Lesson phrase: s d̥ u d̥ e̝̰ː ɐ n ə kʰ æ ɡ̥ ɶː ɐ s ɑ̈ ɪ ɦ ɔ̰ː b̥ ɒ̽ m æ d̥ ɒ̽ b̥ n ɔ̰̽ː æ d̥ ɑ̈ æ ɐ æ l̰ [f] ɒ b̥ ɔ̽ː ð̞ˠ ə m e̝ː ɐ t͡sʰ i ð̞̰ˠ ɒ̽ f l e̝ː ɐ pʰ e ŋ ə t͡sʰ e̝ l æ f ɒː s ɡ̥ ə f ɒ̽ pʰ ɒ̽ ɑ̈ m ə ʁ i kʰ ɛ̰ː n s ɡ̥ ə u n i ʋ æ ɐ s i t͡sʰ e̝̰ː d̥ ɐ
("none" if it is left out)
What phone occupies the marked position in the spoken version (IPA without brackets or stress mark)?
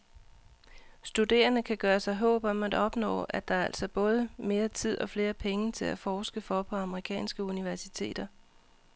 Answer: s